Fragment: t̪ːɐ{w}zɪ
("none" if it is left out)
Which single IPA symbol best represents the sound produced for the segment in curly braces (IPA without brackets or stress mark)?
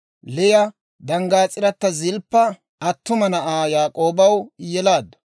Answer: none